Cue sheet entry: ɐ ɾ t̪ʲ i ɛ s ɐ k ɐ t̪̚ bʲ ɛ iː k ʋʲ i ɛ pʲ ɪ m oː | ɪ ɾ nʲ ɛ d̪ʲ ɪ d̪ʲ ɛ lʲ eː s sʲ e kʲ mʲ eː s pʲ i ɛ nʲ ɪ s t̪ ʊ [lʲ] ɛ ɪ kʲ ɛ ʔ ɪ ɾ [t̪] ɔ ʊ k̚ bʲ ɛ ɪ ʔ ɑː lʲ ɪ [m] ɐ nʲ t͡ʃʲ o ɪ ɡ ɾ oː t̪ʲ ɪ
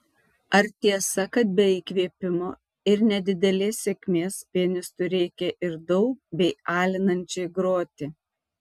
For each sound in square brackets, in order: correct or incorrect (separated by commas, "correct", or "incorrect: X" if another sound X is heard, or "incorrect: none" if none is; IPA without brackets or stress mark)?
incorrect: ɾʲ, incorrect: d̪, incorrect: n